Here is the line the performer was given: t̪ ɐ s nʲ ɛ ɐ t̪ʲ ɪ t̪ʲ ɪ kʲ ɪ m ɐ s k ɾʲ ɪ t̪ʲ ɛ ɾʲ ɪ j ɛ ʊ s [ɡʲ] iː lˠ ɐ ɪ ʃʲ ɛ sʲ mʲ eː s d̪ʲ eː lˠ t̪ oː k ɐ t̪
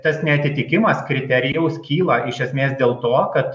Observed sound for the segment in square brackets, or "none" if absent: kʲ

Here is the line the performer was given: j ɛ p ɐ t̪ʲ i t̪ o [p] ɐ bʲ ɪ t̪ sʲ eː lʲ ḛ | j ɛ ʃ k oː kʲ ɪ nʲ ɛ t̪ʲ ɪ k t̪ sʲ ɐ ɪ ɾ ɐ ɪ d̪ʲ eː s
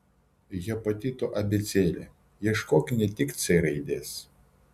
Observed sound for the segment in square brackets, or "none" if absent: ʔ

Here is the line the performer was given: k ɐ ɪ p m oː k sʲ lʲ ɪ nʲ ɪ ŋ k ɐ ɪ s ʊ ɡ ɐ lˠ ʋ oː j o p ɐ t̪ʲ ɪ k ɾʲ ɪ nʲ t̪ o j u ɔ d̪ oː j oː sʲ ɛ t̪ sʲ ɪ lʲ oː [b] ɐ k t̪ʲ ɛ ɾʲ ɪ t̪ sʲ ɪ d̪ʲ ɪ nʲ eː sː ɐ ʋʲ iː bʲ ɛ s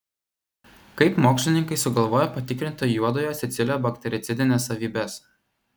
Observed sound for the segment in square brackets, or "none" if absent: b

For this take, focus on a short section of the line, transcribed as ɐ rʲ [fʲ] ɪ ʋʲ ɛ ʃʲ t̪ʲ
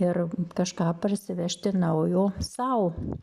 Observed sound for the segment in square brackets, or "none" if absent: sʲ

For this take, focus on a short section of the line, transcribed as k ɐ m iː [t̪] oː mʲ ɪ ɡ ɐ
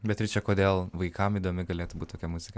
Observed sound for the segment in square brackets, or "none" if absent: d̪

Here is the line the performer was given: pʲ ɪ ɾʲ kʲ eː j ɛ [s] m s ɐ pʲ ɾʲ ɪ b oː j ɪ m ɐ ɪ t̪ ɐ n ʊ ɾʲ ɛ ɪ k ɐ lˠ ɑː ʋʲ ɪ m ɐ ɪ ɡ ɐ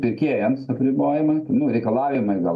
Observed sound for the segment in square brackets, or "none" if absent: none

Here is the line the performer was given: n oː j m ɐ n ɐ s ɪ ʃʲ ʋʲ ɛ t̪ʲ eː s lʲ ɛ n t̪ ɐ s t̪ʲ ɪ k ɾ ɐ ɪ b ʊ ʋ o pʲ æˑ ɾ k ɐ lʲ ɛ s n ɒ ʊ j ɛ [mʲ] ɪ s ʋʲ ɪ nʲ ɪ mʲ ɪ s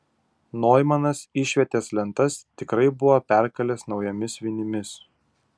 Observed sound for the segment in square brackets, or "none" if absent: mʲ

